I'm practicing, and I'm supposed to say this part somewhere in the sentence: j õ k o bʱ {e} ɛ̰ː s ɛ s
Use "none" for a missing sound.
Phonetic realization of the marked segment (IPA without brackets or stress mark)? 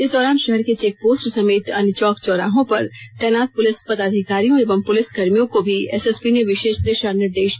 i